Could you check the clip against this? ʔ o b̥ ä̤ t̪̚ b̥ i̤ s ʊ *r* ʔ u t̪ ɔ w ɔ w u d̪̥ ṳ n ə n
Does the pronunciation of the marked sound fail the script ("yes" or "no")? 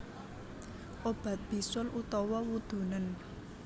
yes